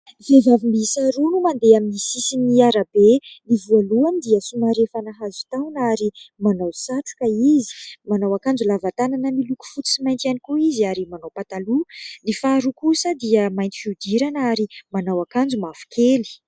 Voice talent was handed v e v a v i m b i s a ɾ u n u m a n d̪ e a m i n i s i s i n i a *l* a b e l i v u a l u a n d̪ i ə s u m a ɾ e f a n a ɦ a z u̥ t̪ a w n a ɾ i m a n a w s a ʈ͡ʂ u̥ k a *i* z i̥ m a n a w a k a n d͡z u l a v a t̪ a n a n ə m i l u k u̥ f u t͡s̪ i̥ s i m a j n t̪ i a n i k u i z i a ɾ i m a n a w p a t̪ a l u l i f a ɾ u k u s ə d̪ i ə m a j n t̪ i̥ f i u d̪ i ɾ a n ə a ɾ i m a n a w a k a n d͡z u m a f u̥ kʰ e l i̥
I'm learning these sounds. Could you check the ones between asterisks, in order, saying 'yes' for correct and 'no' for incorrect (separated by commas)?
no, yes